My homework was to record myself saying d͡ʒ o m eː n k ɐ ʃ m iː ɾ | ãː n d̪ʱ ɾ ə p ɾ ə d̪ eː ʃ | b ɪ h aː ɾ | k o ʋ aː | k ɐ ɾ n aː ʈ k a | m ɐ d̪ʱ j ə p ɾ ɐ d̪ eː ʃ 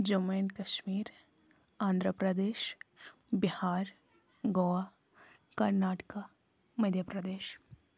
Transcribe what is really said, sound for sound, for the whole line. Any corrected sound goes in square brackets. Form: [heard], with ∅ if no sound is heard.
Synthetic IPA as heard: d͡ʒ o m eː n k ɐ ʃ m iː ɾ | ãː n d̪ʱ ɾ ə p ɾ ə d̪ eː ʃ | b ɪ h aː ɾ | [ɡ] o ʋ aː | k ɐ ɾ n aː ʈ k a | m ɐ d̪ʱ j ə p ɾ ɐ d̪ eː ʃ